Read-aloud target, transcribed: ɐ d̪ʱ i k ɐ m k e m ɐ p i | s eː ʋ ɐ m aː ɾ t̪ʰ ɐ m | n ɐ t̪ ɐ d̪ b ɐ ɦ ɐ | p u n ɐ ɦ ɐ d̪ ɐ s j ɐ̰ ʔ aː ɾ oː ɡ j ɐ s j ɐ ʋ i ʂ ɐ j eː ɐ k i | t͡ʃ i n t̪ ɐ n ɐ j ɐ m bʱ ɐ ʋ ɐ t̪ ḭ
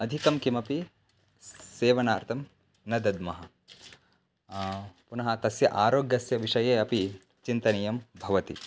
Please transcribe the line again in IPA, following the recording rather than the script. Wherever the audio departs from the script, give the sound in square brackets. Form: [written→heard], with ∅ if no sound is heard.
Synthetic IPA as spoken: ɐ d̪ʱ i k ɐ m k [e→i] m ɐ p i | s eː ʋ ɐ [m→n] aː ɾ t̪ʰ ɐ m | n ɐ [t̪→d̪] ɐ d̪ [b→m] ɐ ɦ ɐ | p u n ɐ ɦ ɐ [d̪→t̪] ɐ s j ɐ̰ ʔ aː ɾ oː ɡ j ɐ s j ɐ ʋ i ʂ ɐ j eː ɐ [k→p] i | t͡ʃ i n t̪ ɐ n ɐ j ɐ m bʱ ɐ ʋ ɐ t̪ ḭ